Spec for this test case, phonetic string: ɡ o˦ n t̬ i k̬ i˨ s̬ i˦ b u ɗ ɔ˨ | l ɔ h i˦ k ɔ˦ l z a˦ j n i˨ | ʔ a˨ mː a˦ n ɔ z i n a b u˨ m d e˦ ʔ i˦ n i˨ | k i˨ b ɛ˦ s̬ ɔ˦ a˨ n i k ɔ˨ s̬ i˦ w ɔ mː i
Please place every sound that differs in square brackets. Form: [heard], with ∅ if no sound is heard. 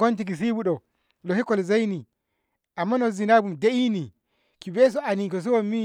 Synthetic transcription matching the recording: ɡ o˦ n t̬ i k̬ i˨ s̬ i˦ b u ɗ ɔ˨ | l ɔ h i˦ k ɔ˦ l z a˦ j n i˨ | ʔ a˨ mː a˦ n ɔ z i n a b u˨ m d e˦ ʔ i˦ n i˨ | k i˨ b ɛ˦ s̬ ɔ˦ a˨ n i k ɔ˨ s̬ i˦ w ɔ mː i